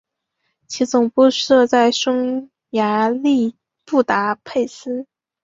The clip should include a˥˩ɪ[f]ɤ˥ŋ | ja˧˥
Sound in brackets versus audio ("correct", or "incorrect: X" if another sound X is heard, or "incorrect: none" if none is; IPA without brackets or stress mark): incorrect: ʂ